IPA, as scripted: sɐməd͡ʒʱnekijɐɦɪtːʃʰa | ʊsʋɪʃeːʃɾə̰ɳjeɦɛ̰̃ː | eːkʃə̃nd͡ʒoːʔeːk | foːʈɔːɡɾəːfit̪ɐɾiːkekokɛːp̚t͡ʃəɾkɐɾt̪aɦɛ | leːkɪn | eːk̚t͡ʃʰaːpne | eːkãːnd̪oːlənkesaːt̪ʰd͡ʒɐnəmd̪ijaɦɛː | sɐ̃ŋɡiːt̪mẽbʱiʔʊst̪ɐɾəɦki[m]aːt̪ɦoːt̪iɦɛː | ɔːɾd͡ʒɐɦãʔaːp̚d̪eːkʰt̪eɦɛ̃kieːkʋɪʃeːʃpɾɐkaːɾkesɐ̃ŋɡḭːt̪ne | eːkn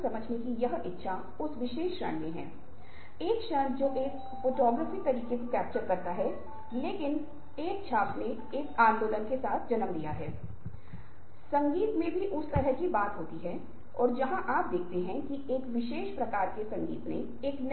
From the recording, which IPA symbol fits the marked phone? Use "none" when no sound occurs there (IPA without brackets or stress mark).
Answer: b